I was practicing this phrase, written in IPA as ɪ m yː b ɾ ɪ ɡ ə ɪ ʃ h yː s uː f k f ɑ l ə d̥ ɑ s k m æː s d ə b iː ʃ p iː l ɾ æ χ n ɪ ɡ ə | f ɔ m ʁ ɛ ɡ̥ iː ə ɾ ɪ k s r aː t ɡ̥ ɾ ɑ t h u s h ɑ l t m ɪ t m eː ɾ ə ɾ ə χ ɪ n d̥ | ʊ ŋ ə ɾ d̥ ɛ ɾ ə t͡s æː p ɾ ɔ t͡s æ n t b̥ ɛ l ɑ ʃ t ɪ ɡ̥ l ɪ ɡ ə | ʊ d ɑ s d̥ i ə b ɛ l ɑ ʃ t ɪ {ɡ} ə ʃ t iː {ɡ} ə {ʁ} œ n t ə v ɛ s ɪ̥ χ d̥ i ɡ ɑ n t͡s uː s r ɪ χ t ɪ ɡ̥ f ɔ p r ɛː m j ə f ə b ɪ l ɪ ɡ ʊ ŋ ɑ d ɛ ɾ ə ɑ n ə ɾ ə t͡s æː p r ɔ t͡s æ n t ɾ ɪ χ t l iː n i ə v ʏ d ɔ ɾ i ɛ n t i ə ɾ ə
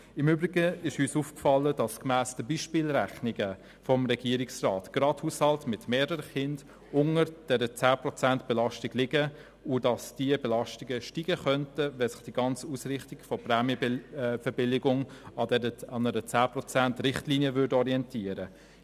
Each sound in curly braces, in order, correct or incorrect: correct, correct, incorrect: χ

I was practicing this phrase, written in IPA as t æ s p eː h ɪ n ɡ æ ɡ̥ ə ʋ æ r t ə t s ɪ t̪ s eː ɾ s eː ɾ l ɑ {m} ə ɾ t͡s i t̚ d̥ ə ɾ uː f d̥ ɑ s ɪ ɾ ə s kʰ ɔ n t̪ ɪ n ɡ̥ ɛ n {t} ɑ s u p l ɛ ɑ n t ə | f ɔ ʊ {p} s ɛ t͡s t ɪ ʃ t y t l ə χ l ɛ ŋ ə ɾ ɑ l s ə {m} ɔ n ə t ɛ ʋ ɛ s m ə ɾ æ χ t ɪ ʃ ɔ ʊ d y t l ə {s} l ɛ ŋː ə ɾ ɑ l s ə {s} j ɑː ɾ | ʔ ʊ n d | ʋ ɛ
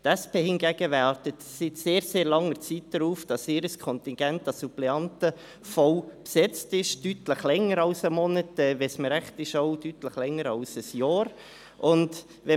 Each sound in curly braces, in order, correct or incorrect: incorrect: ŋ, correct, correct, correct, incorrect: χ, correct

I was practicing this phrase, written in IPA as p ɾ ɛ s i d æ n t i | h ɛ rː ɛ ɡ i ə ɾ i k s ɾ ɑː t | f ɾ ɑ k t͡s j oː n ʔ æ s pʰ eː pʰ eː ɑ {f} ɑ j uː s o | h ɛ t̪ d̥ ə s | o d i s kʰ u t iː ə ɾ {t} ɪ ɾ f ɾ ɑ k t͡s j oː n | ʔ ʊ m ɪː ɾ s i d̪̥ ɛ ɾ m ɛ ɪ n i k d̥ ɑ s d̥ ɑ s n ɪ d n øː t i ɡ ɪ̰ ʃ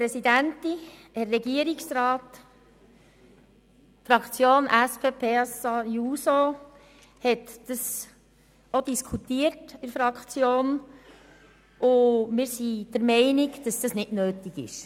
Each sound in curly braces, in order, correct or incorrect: incorrect: s, correct

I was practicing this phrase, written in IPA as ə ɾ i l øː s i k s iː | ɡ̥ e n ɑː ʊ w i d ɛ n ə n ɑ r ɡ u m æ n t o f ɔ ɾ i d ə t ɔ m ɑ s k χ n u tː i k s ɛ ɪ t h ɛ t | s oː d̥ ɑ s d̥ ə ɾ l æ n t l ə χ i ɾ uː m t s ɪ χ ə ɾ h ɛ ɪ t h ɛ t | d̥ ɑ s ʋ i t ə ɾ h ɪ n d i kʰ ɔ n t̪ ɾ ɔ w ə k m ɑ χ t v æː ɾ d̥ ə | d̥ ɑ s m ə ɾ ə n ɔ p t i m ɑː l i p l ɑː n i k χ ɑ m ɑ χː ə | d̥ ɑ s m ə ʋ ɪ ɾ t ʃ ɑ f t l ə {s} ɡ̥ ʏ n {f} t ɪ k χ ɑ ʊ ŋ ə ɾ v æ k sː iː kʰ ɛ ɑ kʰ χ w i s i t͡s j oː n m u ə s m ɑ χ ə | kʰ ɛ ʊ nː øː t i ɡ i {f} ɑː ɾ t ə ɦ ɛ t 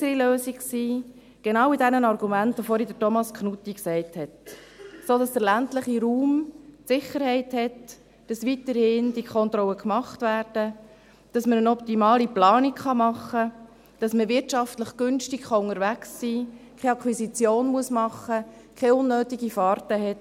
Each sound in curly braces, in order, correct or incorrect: incorrect: χ, incorrect: ʃ, correct

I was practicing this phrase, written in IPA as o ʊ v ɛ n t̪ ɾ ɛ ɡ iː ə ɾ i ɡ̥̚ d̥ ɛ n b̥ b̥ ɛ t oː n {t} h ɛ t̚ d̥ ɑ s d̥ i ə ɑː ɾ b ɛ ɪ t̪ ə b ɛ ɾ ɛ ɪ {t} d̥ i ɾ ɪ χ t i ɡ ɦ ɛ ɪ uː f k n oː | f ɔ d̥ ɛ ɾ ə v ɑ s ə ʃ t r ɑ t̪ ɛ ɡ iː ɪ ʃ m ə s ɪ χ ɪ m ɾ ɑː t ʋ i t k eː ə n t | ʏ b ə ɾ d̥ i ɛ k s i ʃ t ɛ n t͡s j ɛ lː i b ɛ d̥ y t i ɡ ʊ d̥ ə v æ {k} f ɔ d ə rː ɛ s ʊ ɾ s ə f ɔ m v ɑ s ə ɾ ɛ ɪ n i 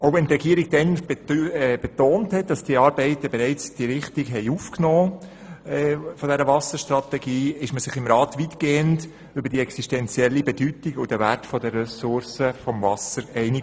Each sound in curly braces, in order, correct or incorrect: correct, incorrect: t͡s, incorrect: t

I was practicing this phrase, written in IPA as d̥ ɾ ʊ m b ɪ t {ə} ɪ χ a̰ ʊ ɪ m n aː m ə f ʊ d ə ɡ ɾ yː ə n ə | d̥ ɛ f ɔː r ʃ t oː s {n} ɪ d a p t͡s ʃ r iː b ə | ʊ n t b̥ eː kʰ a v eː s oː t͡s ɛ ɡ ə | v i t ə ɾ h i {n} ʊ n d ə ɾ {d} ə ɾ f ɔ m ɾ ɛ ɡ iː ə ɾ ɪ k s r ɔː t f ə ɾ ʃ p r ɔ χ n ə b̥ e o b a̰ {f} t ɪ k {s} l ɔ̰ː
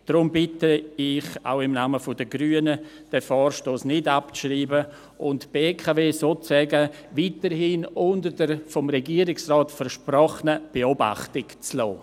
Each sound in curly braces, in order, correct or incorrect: correct, correct, correct, correct, incorrect: χ, incorrect: t͡s

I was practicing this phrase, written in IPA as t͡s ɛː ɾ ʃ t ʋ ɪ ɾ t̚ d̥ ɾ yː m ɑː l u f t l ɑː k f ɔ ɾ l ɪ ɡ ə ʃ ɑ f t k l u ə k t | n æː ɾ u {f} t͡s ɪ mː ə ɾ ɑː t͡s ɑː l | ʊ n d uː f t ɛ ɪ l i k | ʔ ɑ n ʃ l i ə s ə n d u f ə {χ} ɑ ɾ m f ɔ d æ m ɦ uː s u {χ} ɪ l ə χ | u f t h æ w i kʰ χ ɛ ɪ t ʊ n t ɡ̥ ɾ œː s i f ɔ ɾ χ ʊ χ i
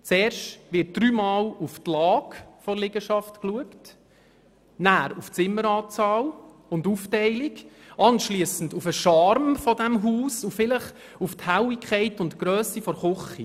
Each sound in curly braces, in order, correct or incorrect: correct, incorrect: ʃ, incorrect: f

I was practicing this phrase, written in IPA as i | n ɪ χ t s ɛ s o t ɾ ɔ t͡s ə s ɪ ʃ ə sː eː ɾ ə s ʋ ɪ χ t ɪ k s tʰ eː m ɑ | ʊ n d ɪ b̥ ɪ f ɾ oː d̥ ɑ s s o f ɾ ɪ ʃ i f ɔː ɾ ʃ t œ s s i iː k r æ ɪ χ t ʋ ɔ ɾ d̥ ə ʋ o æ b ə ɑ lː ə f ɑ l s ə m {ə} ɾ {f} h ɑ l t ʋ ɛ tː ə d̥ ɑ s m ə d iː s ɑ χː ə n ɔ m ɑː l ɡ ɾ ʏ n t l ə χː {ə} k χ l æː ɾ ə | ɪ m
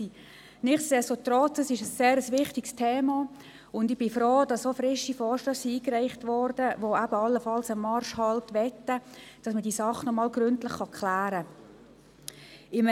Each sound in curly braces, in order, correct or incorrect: incorrect: ɑ, incorrect: ʃ, incorrect: ɑ

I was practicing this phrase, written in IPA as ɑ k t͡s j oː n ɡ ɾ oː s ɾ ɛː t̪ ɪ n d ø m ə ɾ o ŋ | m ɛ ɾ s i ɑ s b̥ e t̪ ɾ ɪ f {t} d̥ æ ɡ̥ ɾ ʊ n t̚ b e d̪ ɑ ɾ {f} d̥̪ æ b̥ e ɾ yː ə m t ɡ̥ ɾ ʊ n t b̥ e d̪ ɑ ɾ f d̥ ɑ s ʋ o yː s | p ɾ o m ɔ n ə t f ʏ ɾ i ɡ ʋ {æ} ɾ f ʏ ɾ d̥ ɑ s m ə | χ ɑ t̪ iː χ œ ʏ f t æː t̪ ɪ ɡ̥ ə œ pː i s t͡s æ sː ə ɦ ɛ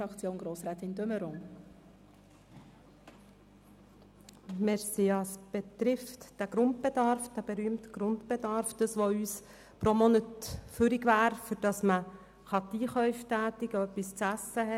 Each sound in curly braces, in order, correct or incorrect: correct, correct, incorrect: æː

